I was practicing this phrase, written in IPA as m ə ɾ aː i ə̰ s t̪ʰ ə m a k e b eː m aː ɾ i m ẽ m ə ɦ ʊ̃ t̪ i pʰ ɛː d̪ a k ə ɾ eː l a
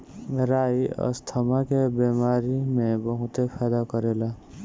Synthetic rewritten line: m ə ɾ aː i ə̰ s t̪ʰ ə m a k e b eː m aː ɾ i m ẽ b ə ɦ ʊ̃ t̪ e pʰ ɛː d̪ a k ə ɾ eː l a